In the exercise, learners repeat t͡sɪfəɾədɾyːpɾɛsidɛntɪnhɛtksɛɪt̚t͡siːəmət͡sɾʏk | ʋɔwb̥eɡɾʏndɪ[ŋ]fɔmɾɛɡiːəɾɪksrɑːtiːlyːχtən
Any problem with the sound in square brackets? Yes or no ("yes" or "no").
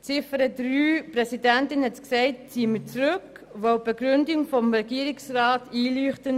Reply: no